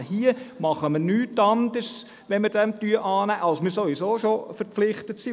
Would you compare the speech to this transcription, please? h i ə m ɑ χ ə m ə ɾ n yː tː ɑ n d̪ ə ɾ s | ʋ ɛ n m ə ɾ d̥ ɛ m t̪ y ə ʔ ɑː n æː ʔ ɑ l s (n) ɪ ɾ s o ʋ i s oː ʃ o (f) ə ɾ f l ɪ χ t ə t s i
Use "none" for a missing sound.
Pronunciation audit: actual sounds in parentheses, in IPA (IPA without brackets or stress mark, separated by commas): m, f